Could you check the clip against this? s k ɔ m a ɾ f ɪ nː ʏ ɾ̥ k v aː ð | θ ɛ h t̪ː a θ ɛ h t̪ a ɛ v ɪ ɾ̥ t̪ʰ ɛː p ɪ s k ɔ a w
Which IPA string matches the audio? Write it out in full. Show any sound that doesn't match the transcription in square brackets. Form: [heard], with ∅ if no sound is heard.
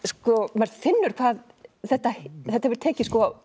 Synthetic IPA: s k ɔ m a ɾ f ɪ nː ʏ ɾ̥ [kʰ] v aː ð | θ ɛ h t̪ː a θ ɛ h t̪ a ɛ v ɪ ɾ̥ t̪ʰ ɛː [c] ɪ s k ɔ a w

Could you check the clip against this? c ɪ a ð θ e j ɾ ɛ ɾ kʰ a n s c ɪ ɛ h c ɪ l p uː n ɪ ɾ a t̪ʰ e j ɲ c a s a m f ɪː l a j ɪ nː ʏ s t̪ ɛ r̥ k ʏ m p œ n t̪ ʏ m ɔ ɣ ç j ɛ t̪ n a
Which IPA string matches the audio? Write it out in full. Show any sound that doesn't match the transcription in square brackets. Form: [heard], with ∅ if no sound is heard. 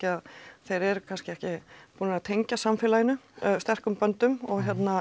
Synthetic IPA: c ɪ a ð θ e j ɾ ɛ ɾ kʰ a n s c ɪ ɛ h c ɪ [∅] p uː n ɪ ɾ a t̪ʰ e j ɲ c a s a m f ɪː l a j ɪ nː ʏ s t̪ ɛ r̥ k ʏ m p œ n t̪ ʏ m ɔ ɣ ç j ɛ t̪ n a

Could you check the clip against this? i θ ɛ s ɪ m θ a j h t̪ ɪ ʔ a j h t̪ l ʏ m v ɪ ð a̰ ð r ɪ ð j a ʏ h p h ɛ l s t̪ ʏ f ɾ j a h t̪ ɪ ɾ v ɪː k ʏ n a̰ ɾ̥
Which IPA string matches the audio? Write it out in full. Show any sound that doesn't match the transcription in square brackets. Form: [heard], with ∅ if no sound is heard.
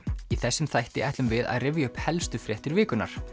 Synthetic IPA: i θ ɛ [sː] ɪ m θ a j h t̪ ɪ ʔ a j h t̪ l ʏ m v ɪ ð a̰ ð r ɪ [v] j a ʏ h p h ɛ l s t̪ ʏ f ɾ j [ɛ] h t̪ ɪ ɾ v ɪː k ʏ n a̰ ɾ̥

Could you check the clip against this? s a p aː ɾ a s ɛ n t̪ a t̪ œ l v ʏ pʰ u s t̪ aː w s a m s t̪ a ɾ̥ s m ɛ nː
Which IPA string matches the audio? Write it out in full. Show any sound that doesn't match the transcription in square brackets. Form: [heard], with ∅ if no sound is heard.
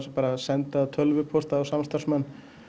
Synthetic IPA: s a p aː ɾ a s ɛ n t̪ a [t̪ʰ] œ l v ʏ pʰ [ɔ] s t̪ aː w s a m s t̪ a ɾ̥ s m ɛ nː

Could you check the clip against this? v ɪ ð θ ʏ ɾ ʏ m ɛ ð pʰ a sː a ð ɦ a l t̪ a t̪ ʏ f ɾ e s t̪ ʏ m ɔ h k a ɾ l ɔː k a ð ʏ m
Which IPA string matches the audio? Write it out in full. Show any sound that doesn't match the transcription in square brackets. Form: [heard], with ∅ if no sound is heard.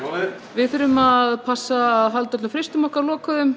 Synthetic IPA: v ɪ ð θ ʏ ɾ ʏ m [a] ð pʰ a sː a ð ɦ a l t̪ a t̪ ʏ f ɾ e s t̪ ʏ m ɔ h k a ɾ l ɔː k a ð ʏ m

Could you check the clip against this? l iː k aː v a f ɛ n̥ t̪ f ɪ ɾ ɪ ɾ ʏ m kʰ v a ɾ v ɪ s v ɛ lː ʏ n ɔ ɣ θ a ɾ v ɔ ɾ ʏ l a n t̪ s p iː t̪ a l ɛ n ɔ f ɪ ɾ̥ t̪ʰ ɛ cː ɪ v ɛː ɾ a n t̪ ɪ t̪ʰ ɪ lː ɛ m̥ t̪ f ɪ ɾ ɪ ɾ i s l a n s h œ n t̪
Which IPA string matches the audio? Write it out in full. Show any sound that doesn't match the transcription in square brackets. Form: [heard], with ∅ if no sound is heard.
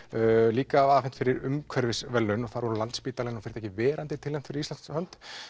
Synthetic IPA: l iː k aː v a f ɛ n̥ t̪ f ɪ ɾ ɪ ɾ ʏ m kʰ v [ɛ] ɾ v ɪ s v ɛ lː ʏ n ɔ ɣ θ a ɾ v ɔ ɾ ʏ l a n t̪ s p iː t̪ a l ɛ n ɔ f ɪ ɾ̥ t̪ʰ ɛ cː ɪ v ɛː ɾ a n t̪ ɪ t̪ʰ ɪ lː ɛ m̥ t̪ f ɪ ɾ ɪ ɾ i s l a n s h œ n t̪

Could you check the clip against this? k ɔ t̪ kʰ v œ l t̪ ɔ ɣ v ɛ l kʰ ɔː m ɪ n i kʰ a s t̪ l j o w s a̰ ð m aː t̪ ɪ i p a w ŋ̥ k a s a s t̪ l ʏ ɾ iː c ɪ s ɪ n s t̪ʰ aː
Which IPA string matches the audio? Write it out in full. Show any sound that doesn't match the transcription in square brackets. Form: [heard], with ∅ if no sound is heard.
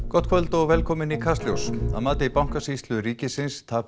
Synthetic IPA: k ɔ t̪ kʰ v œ l t̪ ɔ ɣ v ɛ l kʰ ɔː m ɪ n i kʰ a s t̪ l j o w s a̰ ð m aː t̪ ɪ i p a w ŋ̥ k a s [i] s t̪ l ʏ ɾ iː c ɪ s ɪ n s t̪ʰ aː

